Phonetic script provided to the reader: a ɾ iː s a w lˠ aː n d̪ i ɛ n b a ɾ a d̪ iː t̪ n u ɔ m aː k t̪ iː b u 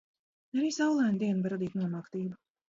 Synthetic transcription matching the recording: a ɾ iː s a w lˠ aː n d̪ i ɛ n b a ɾ a d̪ iː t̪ n u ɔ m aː k t̪ iː b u